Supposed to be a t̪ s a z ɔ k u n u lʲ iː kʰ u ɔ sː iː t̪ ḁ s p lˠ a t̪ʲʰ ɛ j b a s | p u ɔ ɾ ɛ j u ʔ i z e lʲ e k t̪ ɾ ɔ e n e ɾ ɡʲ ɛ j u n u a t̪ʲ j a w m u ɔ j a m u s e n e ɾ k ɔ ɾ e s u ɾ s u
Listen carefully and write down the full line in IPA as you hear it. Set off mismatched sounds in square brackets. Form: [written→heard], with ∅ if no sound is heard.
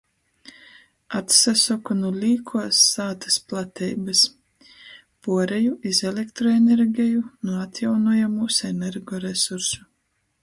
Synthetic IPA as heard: a t̪ s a [z→s] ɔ k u n u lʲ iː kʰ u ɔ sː [iː→aː] t̪ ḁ s p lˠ a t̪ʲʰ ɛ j b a s | p u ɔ ɾ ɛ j u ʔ i z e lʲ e k t̪ ɾ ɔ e n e ɾ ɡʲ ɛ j u n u a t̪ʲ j a w [m→n] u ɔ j a m u s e n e ɾ [k→ɡ] ɔ ɾ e s u ɾ s u